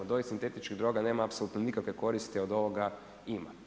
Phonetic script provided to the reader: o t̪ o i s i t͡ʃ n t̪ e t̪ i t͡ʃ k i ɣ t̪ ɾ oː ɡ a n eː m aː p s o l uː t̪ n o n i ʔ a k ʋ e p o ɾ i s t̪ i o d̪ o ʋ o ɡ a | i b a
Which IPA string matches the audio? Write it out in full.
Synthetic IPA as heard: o d̪ o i s i n t̪ e t̪ i t͡ʃ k i ɣ d̪ ɾ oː ɡ a n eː m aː p s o l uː t̪ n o n i k a k ʋ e k o ɾ i s t̪ i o d̪ o ʋ o ɡ a | i m a